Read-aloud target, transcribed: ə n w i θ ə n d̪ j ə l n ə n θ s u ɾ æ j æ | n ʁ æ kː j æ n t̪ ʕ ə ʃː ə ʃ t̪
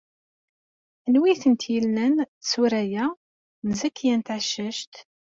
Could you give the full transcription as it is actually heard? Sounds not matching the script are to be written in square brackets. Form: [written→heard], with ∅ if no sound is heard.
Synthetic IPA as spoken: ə n w i θ ə n [d̪→t̪] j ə l n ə n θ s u ɾ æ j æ | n [ʁ→z] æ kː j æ n t̪ ʕ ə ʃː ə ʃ t̪